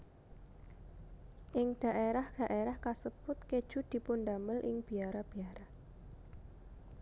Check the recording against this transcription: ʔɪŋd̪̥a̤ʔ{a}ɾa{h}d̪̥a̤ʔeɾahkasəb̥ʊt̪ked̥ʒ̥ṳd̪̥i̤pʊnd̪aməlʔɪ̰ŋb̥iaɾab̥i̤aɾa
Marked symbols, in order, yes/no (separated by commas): no, yes